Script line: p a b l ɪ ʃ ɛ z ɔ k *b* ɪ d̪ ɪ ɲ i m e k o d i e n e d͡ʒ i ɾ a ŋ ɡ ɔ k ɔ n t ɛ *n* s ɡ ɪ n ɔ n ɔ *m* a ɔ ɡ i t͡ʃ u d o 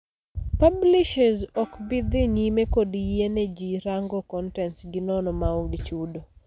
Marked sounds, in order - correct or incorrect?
correct, correct, correct

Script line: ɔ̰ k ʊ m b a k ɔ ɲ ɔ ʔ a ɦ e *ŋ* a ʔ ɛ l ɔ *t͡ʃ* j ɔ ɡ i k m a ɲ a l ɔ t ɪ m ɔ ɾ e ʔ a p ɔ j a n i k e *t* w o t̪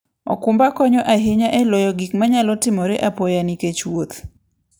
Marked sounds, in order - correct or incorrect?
incorrect: ɲ, incorrect: none, incorrect: t͡ʃ

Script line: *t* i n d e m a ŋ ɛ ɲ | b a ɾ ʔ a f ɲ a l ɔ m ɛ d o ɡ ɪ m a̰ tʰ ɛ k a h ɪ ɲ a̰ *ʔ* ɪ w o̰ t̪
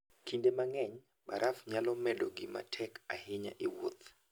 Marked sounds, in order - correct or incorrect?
incorrect: k, correct

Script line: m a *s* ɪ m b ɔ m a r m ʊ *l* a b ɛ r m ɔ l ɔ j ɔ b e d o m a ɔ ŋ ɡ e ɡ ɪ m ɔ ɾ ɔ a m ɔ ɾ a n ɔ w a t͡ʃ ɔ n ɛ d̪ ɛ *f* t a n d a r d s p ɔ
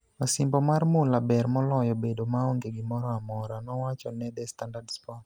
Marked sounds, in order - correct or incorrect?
correct, correct, incorrect: s

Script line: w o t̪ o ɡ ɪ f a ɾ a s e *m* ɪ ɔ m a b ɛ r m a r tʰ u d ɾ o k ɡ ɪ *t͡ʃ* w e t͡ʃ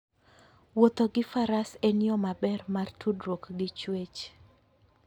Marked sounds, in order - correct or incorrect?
incorrect: n, correct

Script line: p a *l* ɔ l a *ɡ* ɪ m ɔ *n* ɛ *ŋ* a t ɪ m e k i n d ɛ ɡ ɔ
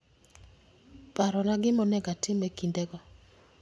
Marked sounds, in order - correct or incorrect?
incorrect: ɾ, correct, correct, incorrect: ɡ

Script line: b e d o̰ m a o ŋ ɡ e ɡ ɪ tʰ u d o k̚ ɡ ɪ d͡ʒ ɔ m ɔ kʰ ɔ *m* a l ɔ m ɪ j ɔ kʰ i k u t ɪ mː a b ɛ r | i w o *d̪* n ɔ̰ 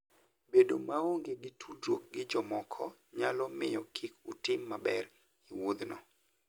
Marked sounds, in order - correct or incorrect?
incorrect: ɲ, correct

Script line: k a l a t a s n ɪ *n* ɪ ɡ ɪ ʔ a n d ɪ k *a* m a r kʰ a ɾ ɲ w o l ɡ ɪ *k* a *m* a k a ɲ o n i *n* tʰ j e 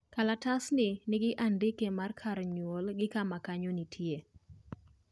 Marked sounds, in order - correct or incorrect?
correct, incorrect: e, correct, correct, incorrect: none

